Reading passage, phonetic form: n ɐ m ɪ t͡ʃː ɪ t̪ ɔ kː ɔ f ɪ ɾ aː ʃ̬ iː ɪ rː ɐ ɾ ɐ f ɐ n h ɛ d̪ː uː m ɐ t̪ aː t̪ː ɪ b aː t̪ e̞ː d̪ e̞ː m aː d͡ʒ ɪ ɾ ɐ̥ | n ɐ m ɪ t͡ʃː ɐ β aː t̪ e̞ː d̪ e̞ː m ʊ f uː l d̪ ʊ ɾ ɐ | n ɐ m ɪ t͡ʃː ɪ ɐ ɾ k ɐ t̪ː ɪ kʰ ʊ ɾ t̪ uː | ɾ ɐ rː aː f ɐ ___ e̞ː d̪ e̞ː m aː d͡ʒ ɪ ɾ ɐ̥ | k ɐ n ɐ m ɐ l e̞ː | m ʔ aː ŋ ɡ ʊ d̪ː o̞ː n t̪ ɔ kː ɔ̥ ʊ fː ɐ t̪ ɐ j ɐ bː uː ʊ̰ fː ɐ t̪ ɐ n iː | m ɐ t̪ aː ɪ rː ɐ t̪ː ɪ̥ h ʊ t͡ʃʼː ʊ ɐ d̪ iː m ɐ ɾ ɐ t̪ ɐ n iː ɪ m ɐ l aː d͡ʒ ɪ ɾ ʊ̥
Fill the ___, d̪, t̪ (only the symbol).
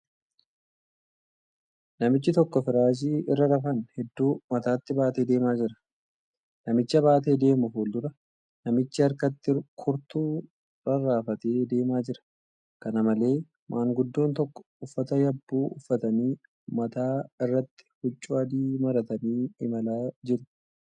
t̪